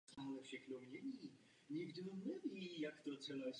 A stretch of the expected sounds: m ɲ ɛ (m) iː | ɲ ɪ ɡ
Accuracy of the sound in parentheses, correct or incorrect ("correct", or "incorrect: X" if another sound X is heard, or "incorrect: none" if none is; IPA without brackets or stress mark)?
incorrect: ɲ